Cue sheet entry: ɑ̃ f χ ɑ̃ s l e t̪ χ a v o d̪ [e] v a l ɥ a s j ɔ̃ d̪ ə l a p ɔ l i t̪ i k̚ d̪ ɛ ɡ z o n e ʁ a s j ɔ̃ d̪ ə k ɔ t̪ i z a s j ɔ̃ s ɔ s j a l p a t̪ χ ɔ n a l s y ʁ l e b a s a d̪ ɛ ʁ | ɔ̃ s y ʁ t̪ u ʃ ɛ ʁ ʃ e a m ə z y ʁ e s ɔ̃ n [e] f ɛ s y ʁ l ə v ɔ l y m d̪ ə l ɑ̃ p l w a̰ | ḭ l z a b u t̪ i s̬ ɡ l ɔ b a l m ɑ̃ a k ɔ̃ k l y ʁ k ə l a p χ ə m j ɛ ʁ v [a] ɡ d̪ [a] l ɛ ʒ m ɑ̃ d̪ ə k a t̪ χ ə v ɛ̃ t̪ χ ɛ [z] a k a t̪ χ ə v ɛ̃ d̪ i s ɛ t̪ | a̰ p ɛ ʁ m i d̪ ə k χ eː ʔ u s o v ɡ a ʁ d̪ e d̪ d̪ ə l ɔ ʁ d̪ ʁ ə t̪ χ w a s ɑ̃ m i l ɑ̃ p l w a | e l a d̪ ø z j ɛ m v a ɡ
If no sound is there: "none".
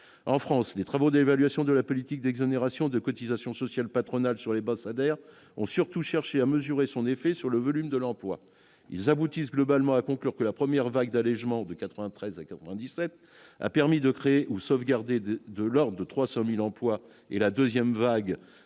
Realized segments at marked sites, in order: e, e, a, a, z

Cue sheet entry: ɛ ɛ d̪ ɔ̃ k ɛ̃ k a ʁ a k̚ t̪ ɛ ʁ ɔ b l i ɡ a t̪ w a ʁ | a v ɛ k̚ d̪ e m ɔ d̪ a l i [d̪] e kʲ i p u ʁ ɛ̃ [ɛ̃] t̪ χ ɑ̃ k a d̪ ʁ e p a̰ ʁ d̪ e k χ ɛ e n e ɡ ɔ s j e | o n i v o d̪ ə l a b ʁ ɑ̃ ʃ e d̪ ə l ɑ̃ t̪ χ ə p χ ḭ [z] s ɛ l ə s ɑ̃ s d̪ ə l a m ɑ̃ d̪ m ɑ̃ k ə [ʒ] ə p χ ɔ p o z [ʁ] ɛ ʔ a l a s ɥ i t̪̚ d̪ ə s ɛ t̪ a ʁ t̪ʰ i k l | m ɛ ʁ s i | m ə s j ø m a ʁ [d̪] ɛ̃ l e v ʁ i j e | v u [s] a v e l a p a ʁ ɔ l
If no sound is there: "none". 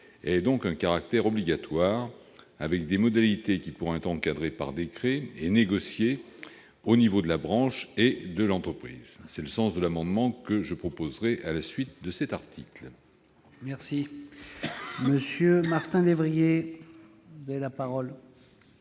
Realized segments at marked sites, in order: t̪, ɛ, z, ʒ, ʁ, t̪, z

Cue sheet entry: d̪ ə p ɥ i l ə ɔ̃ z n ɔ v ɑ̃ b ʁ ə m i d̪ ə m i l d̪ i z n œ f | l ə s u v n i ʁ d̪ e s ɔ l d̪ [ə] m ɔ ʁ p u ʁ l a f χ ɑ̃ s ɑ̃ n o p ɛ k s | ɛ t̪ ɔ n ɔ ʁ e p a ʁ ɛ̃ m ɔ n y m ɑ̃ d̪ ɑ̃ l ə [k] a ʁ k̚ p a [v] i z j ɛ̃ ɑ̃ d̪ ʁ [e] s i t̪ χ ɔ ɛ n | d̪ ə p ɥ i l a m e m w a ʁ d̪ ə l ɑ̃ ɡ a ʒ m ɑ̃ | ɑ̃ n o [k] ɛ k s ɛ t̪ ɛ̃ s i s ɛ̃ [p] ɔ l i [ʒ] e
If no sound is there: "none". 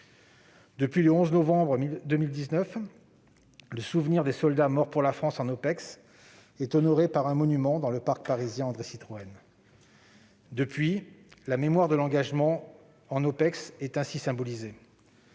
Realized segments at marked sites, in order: a, p, ʁ, e, p, b, z

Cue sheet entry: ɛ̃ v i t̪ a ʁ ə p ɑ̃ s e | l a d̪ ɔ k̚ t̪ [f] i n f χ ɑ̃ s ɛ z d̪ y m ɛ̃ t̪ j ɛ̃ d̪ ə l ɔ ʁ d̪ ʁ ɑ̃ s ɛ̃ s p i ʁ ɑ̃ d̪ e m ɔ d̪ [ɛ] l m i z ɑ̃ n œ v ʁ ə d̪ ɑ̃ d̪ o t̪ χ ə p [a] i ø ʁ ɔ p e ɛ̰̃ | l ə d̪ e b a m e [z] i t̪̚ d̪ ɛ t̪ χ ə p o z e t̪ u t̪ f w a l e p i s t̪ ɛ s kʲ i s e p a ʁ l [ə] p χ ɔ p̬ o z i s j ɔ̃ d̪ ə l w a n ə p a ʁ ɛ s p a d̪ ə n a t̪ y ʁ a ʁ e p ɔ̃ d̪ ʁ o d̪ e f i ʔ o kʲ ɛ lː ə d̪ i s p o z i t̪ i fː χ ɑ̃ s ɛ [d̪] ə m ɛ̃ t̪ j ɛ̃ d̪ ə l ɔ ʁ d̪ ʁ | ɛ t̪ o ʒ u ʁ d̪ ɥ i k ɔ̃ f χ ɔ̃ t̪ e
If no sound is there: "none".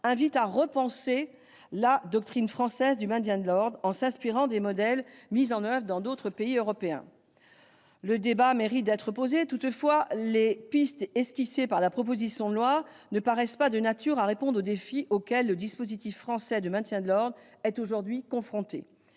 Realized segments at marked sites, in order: χ, ɛ, e, ʁ, a, d̪

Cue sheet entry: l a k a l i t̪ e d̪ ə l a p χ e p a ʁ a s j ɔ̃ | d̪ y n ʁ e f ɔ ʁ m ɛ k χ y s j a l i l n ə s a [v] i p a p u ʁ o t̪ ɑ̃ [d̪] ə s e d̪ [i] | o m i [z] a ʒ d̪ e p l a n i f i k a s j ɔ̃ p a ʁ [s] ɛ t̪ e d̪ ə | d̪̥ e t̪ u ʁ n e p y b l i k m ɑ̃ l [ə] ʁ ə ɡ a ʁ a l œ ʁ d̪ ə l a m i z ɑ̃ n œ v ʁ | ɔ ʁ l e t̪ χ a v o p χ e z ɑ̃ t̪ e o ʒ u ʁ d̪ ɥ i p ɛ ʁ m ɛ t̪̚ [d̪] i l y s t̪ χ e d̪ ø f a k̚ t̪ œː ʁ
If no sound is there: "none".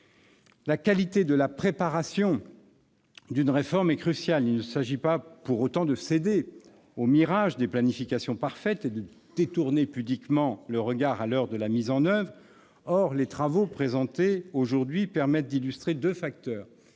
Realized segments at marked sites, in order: ʒ, d̪, e, ʁ, f, ə, d̪

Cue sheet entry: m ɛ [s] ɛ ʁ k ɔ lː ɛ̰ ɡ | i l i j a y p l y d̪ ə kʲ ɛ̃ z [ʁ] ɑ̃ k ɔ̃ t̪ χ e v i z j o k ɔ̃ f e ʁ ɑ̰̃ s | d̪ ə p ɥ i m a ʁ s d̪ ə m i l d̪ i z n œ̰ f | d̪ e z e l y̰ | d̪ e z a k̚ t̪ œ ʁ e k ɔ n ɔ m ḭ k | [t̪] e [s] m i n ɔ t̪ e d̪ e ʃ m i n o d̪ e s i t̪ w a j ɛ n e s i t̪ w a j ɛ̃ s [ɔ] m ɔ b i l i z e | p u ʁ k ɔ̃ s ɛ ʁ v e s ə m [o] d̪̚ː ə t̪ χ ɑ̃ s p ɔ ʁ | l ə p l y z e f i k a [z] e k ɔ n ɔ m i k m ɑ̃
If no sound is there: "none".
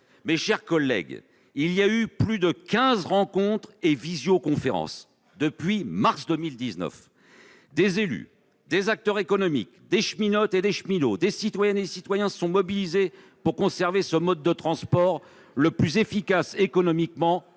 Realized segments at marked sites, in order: ʃ, ʁ, d̪, ʃ, ɔ̃, ɔ, s

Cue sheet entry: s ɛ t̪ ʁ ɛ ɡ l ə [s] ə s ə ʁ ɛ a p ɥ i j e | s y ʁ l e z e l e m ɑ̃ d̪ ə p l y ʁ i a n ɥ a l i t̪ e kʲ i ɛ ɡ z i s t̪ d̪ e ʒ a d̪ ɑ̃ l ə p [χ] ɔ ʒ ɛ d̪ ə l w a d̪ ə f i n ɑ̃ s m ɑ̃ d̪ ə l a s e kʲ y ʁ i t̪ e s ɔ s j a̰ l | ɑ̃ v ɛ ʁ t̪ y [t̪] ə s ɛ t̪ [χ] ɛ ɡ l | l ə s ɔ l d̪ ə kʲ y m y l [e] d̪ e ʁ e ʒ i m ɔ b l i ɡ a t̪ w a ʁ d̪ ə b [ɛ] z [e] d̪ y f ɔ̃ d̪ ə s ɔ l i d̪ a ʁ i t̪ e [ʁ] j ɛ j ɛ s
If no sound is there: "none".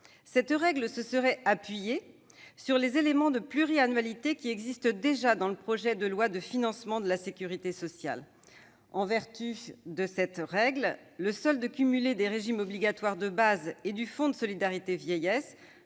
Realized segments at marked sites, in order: s, χ, d̪, ʁ, e, a, e, v

